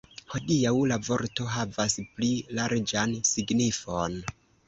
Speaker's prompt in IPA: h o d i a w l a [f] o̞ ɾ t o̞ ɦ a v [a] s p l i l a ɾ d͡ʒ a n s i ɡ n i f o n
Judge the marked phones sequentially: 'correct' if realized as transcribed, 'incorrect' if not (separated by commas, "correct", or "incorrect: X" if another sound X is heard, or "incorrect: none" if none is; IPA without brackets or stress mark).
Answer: incorrect: v, correct